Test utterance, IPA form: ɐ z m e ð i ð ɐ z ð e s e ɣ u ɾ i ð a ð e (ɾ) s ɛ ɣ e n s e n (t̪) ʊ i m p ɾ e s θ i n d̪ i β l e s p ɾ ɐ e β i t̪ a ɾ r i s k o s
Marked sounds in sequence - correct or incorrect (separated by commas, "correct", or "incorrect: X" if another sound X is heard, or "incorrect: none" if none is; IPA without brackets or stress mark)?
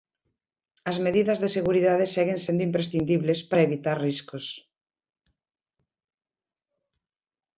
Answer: incorrect: none, incorrect: d̪